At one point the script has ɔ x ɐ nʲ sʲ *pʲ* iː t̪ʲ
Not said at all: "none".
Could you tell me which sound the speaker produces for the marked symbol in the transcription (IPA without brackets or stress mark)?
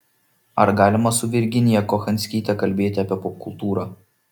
kʲ